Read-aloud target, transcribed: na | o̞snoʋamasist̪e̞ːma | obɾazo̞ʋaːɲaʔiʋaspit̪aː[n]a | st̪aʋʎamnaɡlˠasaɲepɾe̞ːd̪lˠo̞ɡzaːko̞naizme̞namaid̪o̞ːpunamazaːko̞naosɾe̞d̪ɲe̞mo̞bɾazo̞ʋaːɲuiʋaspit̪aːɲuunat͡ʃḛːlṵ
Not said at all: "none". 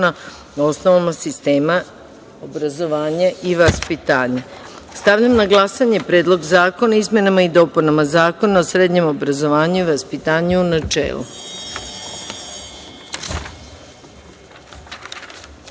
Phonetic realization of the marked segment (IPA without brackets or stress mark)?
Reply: ɲ